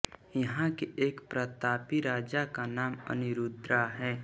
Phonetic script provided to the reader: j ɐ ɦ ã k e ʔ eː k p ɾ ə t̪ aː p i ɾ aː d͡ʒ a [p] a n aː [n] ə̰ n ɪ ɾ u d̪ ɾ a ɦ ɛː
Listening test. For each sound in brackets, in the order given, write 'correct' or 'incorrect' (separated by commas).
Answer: incorrect, incorrect